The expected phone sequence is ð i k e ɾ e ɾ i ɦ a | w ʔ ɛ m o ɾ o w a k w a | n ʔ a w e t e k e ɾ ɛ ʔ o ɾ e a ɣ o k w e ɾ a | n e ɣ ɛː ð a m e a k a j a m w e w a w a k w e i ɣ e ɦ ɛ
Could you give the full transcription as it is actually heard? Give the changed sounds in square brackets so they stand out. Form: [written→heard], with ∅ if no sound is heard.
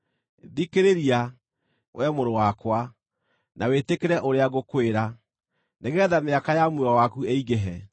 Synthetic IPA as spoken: ð i k e ɾ e ɾ i [ɦ→∅] a | w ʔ ɛ m o ɾ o w a k w a | n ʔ a w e t e k e ɾ ɛ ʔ o ɾ e a ɣ o k w e ɾ a | n e ɣ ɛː ð a m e a k a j a m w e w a w a k [w→u] e i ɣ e ɦ ɛ

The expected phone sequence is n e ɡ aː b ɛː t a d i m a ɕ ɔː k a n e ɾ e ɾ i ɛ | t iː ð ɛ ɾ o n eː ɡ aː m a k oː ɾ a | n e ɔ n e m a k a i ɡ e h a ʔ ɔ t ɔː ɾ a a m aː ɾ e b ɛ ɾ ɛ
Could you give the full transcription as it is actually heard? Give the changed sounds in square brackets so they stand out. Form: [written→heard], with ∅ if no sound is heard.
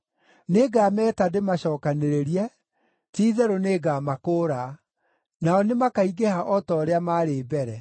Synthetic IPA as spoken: n e ɡ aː [b→m] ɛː t a d [i→e] m a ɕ ɔː k a n e ɾ e ɾ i ɛ | t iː ð ɛ ɾ o n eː ɡ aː m a k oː ɾ a | n [e→a] ɔ n e m a k a i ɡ e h a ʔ ɔ t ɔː ɾ [a→e] a m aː ɾ e b ɛ ɾ ɛ

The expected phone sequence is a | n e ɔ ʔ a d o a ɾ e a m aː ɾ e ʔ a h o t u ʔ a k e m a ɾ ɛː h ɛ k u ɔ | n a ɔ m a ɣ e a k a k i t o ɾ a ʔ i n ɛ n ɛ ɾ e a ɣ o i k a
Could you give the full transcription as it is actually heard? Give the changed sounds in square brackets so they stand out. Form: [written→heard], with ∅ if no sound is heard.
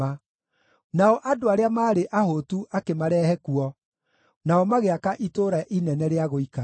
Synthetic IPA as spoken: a | n [e→a] ɔ ʔ a d o a ɾ e a m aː ɾ e ʔ a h o t u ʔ a k e m a ɾ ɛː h ɛ k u ɔ | n a ɔ m a ɣ e a k a [k→ʔ] i t o ɾ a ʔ i n ɛ n ɛ ɾ e a ɣ o i k a

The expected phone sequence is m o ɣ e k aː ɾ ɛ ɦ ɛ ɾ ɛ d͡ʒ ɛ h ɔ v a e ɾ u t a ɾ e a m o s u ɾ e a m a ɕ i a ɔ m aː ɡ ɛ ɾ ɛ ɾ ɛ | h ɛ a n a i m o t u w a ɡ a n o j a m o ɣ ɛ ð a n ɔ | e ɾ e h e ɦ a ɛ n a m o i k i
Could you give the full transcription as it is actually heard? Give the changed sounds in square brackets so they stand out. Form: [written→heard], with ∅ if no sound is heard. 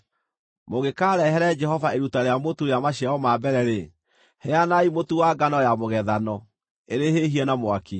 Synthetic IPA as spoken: m o ɣ e k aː ɾ ɛ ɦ ɛ ɾ ɛ d͡ʒ ɛ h ɔ v a e ɾ u t a ɾ e a m o [s→t] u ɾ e a m a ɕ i a ɔ m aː [ɡ→b] ɛ ɾ ɛ ɾ [ɛ→e] | h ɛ a n a i m o t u w a ɡ a n [o→ɔ] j a m o ɣ ɛ ð a n ɔ | e ɾ e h e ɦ [a→i] ɛ n a m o [i→a] k i

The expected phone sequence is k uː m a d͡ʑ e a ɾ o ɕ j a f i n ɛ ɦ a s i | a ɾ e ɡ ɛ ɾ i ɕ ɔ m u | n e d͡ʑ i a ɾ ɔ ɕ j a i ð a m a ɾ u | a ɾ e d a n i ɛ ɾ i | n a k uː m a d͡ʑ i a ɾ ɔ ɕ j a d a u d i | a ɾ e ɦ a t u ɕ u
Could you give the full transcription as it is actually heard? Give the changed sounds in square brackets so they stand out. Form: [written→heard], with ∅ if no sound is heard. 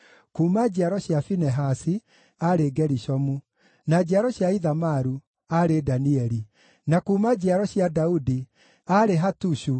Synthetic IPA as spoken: k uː m a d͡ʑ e a ɾ [o→ɔ] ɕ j a f i n ɛ ɦ a s i | a ɾ e ɡ ɛ ɾ i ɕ ɔ m u | n [e→a] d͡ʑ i a ɾ ɔ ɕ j a i ð a m a ɾ u | a ɾ e d a n i ɛ ɾ i | n a k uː m a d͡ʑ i a ɾ ɔ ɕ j a d a u d i | a ɾ e ɦ a t u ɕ u

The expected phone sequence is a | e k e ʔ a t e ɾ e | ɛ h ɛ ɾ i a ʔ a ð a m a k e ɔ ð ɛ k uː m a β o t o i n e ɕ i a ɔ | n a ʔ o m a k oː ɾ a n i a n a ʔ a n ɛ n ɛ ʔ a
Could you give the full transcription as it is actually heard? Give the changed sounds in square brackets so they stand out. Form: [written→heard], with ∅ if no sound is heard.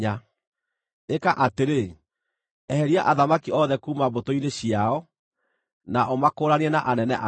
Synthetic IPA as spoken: a | e k [e→a] ʔ a t e ɾ e | ɛ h ɛ ɾ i a ʔ a ð a m a k [e→i] ɔ ð ɛ k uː m a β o t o i n e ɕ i a ɔ | n a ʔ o m a k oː ɾ a n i [a→ɛ] n a ʔ a n ɛ n ɛ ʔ a

